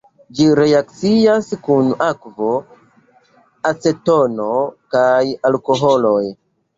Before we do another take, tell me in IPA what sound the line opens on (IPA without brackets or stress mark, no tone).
d͡ʒ